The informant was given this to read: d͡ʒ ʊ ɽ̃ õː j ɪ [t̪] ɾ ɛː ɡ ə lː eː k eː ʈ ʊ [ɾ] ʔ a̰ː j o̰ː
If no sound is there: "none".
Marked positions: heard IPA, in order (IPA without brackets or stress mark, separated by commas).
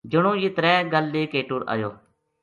t̪, ɾ